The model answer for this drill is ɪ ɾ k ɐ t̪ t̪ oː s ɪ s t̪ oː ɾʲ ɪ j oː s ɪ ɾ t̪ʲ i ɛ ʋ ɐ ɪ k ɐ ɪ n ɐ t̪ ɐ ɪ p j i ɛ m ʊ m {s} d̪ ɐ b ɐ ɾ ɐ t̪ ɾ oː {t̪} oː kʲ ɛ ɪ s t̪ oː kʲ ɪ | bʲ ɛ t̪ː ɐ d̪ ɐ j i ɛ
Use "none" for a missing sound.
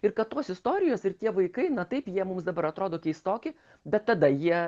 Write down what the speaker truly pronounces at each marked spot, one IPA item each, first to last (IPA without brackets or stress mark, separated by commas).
s, d̪